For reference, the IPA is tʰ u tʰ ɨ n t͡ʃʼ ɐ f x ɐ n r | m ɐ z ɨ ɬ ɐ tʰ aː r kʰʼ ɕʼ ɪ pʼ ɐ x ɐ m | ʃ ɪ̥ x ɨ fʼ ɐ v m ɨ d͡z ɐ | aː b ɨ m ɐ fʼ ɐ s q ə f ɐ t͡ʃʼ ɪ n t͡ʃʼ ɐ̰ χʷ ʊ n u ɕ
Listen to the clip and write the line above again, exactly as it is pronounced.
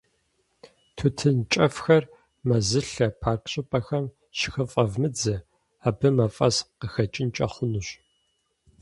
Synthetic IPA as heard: tʰ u tʰ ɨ n t͡ʃʼ ɐ f x ɐ r | m ɐ z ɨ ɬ ɐ pʰ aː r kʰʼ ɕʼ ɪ pʼ ɐ x ɐ m | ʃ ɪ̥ x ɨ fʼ ɐ v m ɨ d͡z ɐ | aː b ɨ m ɐ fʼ ɐ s q ə x ɐ t͡ʃʼ ɪ n t͡ʃʼ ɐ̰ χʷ ʊ n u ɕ